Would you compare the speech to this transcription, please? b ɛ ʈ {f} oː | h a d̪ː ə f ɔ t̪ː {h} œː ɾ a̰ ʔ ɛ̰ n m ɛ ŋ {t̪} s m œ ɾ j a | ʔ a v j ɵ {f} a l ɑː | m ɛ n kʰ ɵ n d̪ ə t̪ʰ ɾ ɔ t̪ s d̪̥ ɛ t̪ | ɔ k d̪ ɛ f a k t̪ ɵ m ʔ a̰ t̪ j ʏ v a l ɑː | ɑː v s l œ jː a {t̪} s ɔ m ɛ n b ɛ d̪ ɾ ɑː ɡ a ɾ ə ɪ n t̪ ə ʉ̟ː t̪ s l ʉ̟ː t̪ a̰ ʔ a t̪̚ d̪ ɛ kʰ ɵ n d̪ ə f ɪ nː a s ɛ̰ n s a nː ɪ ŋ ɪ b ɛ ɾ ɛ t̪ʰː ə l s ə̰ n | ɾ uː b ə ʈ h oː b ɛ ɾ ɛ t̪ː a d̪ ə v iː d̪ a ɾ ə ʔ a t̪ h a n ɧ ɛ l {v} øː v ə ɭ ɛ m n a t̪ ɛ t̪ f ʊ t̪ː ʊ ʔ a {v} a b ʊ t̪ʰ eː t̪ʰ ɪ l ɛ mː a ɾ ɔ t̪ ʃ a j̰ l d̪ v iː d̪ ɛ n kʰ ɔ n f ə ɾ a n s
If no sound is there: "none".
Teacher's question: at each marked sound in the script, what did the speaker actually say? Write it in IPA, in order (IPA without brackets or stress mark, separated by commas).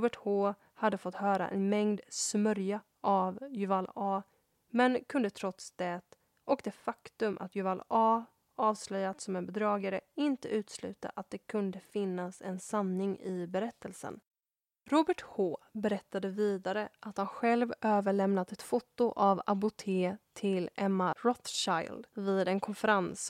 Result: h, h, d̪, v, t̪, v, v